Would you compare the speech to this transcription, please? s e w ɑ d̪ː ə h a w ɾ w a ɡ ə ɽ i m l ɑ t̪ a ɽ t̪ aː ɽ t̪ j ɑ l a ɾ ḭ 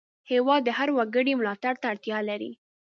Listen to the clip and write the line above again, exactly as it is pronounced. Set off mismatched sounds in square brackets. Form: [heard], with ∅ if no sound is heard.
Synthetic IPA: [h] e w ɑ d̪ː ə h a [∅] ɾ w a ɡ ə ɽ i m l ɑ t̪ a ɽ t̪ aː ɽ t̪ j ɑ l a ɾ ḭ